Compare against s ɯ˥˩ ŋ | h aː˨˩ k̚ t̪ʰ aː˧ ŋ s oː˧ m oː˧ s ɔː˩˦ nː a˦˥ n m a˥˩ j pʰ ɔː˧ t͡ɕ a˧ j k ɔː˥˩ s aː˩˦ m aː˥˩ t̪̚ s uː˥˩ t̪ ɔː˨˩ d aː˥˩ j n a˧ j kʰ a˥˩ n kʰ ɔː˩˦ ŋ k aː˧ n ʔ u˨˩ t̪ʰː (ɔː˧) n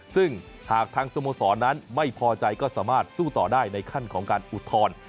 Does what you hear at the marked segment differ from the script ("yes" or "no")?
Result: no